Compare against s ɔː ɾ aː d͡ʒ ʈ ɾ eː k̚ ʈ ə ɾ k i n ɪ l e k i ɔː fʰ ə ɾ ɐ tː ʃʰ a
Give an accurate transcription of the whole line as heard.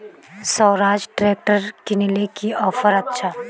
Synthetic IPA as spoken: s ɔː ɾ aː d͡ʒ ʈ ɾ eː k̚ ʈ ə ɾ k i n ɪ l e k i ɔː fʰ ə ɾ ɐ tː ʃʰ a